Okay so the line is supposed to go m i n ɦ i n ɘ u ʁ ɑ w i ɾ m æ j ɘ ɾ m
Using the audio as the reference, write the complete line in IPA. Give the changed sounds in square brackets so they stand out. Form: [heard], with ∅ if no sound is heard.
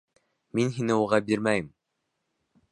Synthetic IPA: m i n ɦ i n ɘ u ʁ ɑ [b] i ɾ m æ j ɘ [∅] m